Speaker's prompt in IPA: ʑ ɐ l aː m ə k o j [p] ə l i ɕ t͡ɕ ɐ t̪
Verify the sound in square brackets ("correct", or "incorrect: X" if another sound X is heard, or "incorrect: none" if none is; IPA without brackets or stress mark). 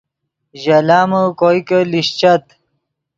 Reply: incorrect: k